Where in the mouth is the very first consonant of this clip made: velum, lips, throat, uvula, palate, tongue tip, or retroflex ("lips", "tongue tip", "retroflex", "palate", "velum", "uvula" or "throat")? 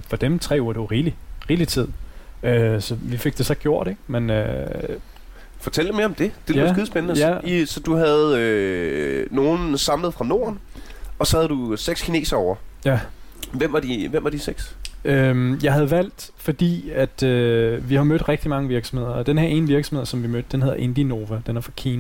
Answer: lips